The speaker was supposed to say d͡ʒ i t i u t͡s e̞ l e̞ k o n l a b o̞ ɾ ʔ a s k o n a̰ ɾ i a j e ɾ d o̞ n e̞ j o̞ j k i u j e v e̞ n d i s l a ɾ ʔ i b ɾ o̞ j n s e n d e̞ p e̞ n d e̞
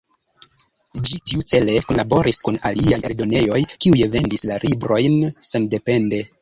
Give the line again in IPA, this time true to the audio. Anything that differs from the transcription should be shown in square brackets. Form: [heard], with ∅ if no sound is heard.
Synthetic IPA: d͡ʒ i t i u t͡s e̞ l e̞ k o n l a b o̞ ɾ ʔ [i] s k [u] n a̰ [l] i a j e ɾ d o̞ n e̞ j o̞ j k i u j e v e̞ n d i s l a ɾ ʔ i b ɾ o̞ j n s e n d e̞ p e̞ n d e̞